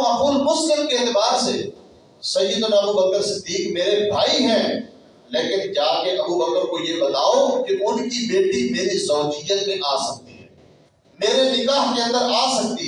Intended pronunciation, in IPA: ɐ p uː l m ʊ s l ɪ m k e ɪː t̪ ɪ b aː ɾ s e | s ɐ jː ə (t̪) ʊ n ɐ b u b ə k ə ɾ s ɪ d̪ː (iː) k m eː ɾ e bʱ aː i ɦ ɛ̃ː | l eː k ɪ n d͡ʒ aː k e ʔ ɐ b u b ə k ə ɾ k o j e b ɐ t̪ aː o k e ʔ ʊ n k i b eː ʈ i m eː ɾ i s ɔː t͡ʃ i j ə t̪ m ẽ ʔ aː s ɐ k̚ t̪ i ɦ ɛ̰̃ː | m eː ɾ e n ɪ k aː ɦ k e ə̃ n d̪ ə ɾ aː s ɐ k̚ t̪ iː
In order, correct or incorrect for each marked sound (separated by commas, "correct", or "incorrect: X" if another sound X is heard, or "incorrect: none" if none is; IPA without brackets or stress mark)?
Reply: incorrect: d̪, correct